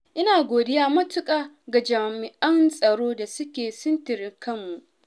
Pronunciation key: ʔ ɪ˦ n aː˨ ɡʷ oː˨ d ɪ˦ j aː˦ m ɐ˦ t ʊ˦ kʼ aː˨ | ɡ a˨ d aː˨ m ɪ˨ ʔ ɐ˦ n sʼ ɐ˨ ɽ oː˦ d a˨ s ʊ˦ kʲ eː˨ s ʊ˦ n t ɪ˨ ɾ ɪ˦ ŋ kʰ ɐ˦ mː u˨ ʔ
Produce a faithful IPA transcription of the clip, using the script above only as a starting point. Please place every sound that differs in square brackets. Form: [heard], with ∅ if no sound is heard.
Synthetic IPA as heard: ʔ ɪ˦ n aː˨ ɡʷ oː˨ d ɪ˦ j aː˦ m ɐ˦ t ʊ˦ kʼ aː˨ | ɡ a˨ [d͡ʒ] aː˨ m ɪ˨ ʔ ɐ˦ n sʼ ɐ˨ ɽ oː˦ d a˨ s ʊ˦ kʲ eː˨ s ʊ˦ n t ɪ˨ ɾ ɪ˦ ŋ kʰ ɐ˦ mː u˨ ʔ